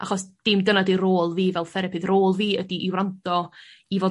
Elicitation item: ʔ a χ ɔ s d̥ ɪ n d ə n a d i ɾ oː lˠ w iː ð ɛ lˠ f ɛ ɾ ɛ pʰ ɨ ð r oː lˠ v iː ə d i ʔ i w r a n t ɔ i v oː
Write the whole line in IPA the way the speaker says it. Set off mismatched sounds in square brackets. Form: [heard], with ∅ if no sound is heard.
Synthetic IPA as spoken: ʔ a χ ɔ s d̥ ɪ [m] d ə n a d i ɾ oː lˠ [v] iː [v] ɛ lˠ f ɛ ɾ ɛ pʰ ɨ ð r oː lˠ v iː ə d i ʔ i w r a n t ɔ i v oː